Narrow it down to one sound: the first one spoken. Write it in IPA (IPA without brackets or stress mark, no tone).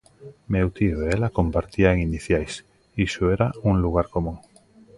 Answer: m